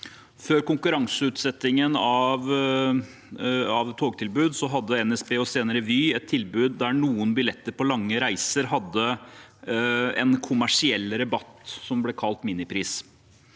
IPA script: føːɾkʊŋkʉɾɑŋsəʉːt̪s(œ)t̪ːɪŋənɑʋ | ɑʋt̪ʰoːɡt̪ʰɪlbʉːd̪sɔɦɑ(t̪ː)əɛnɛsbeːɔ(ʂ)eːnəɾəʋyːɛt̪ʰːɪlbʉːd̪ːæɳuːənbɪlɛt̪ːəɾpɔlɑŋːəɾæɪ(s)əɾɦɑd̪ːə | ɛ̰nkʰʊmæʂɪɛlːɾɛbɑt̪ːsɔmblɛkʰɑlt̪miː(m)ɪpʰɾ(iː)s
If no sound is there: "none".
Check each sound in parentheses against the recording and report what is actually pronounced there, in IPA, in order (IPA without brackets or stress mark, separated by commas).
ɛ, d̪ː, s, s, n, iː